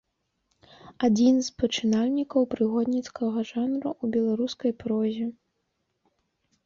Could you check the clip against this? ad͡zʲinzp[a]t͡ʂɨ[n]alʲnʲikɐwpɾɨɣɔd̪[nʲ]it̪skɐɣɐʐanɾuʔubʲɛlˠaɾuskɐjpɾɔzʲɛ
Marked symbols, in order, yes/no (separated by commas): no, yes, yes